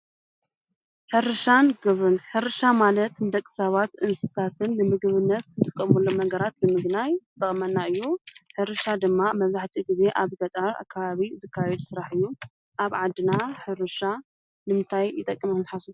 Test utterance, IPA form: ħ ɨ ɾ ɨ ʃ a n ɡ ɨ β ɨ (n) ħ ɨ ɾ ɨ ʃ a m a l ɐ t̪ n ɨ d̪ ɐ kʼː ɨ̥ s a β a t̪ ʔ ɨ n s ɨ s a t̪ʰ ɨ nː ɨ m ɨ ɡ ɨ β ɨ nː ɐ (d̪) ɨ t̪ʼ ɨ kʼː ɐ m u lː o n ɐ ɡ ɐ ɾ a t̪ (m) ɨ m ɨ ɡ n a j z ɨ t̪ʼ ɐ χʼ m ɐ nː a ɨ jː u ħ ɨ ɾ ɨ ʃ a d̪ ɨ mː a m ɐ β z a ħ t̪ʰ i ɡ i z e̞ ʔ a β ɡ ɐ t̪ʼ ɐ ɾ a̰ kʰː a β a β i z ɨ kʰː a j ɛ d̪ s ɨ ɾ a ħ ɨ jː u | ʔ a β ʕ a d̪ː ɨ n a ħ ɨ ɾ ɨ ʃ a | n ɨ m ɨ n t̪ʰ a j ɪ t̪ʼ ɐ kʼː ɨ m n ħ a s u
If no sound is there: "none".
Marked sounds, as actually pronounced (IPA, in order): n, t̪, n

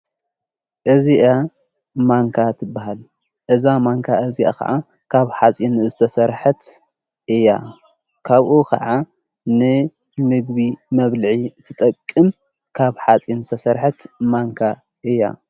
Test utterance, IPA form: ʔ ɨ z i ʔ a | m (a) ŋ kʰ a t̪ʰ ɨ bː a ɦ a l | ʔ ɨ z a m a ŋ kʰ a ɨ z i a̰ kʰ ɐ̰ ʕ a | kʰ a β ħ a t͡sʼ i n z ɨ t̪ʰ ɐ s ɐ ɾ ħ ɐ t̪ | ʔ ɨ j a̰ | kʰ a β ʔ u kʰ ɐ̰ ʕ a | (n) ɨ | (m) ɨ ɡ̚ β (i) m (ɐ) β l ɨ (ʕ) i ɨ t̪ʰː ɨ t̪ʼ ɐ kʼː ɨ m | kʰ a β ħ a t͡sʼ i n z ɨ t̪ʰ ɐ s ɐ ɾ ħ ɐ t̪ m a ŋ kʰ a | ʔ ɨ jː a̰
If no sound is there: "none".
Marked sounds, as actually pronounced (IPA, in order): a, n, m, i, ɐ, ʕ

